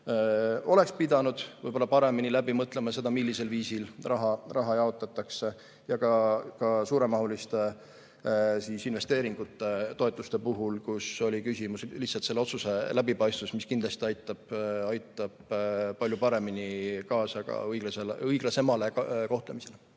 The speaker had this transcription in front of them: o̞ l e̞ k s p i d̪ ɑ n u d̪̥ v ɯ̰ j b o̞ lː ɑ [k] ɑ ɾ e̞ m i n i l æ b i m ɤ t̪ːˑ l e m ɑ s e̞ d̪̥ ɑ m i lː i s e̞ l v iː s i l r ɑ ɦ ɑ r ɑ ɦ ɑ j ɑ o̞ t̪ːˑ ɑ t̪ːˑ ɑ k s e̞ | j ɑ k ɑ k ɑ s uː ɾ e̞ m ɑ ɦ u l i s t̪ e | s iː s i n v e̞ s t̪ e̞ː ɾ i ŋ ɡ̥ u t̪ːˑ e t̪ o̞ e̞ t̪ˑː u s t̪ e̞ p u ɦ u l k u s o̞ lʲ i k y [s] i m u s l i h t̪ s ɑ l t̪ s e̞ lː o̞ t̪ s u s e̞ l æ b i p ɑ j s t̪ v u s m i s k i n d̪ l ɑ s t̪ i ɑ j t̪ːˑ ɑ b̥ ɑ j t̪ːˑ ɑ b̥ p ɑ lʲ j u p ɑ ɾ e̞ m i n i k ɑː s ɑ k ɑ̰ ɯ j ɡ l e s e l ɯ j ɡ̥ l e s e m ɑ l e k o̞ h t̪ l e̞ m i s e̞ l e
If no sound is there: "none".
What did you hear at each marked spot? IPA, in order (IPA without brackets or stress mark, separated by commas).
p, s